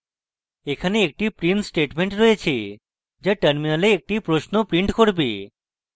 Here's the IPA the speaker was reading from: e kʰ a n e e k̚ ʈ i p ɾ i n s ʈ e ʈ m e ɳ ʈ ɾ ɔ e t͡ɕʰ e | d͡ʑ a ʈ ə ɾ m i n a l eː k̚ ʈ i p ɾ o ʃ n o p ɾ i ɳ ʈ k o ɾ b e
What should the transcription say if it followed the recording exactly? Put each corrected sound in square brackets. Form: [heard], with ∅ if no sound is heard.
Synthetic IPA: e kʰ a n e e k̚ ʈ i p ɾ i n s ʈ e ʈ m e ɳ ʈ ɾ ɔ e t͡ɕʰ e | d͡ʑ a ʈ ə ɾ m i n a l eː k̚ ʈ i p ɾ o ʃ n o p ɾ i ɳ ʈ k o ɾ b e